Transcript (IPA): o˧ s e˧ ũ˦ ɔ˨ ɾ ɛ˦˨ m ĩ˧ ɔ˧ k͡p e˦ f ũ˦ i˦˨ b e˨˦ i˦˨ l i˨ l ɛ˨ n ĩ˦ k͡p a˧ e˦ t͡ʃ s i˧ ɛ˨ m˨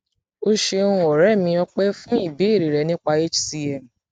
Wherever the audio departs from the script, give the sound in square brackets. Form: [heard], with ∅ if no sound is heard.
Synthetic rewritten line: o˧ [ʃ] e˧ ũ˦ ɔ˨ ɾ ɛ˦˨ m ĩ˧ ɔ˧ k͡p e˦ f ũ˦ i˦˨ b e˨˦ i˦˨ [ɾ] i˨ [ɾ] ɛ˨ n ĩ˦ k͡p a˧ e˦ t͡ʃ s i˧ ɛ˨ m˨